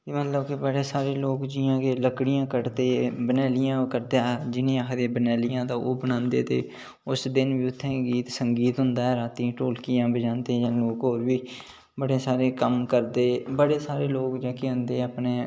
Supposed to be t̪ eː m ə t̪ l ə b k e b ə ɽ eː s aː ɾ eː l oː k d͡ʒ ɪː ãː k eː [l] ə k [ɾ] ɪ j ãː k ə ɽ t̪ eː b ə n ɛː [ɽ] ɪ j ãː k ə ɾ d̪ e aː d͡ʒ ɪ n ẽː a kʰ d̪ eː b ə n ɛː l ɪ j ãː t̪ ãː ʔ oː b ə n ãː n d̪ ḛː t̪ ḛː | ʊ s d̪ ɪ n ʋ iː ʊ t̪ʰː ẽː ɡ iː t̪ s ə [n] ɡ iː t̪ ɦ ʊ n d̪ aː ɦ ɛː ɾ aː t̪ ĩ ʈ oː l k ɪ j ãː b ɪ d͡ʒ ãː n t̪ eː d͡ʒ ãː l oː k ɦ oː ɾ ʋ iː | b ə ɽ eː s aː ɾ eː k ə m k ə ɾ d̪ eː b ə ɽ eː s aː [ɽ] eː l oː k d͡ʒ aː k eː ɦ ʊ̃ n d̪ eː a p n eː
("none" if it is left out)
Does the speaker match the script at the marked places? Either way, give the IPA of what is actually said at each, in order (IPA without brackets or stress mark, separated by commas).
l, ɽ, l, ŋ, ɾ